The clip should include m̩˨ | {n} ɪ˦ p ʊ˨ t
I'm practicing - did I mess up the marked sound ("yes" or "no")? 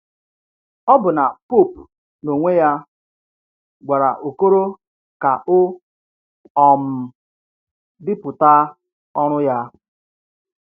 yes